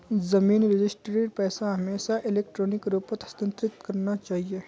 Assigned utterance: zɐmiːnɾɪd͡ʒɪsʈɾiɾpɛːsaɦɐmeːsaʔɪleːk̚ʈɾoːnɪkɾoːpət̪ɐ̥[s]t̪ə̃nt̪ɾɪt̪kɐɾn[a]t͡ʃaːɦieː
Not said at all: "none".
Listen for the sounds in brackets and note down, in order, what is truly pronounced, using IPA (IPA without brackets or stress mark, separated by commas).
s, a